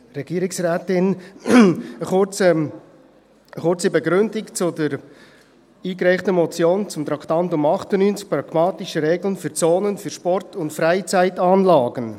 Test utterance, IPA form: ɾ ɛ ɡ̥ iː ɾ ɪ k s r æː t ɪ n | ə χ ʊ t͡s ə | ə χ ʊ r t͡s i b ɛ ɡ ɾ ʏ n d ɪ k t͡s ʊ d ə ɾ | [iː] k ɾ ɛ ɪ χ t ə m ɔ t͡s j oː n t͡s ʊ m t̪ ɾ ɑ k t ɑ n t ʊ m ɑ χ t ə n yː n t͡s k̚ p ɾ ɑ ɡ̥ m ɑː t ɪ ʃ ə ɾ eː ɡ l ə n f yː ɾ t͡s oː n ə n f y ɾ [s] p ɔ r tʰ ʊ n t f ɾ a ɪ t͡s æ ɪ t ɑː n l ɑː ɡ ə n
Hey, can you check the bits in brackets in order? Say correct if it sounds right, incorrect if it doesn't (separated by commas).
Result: correct, incorrect